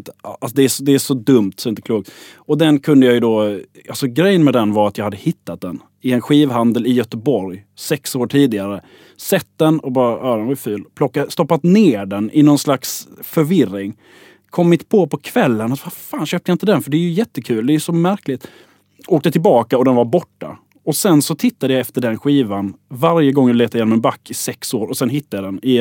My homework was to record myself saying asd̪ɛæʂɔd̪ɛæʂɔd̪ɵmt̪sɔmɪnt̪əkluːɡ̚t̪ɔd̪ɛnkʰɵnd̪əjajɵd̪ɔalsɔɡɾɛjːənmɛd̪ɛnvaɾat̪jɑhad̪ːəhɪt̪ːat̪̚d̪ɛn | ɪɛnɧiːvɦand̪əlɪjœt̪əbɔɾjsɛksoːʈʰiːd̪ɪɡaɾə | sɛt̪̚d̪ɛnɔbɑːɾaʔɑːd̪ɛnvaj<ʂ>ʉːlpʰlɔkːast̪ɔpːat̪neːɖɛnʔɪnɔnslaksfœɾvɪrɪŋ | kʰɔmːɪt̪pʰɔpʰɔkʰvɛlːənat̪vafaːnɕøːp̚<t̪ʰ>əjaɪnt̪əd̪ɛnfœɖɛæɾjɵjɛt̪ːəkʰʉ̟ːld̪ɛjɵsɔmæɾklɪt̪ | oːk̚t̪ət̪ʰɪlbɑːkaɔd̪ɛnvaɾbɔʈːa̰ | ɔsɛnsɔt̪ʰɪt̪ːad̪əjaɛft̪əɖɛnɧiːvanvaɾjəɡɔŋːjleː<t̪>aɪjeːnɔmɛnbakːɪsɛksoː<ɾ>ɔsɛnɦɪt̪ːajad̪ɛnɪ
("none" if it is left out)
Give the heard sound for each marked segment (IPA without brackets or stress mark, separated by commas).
f, t̪, t̪, ɾ